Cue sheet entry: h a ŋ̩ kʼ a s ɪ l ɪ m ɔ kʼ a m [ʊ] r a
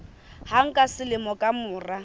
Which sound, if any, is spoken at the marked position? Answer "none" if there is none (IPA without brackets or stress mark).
ʊː